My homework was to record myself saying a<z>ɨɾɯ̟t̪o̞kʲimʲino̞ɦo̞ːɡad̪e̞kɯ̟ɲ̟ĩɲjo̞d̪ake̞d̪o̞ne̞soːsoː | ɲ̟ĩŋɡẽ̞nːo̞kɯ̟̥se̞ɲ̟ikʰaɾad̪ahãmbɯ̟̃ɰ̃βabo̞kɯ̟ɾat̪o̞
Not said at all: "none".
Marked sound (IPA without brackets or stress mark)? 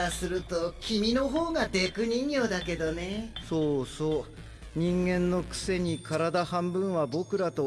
s